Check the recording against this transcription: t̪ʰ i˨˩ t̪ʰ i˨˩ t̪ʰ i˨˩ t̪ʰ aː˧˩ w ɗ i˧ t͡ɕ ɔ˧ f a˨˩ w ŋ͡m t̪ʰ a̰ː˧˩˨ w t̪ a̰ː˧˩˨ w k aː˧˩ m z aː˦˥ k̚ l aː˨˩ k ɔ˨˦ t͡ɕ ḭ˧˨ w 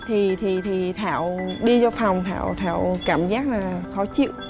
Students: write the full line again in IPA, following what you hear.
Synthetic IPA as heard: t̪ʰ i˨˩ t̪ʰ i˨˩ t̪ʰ i˨˩ t̪ʰ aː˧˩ w ɗ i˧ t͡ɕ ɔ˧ f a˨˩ w ŋ͡m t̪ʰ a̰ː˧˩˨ w t̪ʰ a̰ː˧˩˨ w k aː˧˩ m z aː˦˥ k̚ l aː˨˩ x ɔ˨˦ t͡ɕ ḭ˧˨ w